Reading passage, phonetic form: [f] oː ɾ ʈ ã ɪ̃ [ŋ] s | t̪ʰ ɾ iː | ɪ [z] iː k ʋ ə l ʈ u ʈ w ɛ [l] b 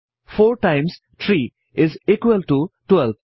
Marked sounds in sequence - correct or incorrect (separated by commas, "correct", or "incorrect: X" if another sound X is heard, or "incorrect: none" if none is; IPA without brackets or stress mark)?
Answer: correct, incorrect: m, correct, correct